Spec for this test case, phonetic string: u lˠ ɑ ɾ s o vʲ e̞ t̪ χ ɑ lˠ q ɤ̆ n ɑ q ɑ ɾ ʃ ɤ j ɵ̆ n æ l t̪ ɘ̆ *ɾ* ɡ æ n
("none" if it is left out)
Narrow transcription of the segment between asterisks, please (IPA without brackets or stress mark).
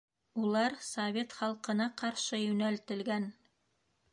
l